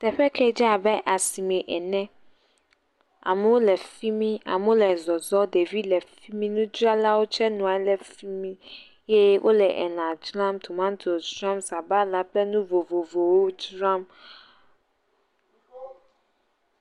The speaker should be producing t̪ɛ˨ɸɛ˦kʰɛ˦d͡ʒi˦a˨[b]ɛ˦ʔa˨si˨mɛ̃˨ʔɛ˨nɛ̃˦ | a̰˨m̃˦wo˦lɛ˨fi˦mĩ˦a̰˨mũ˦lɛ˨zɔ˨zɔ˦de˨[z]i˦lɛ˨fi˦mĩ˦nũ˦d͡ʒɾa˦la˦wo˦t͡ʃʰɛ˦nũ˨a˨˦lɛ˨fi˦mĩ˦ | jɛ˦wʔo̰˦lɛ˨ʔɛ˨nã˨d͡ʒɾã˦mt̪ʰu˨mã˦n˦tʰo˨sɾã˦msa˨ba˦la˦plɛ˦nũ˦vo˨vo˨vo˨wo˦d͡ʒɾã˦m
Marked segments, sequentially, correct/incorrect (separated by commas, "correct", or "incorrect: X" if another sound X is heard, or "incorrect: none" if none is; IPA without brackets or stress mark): correct, incorrect: v